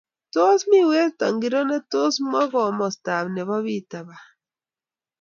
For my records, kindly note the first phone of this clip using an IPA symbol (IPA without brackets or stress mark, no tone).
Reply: t